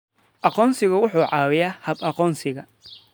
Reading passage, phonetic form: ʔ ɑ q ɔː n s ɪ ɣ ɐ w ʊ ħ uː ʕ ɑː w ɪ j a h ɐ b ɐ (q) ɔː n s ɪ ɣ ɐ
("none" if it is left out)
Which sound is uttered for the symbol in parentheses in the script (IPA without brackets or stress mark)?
q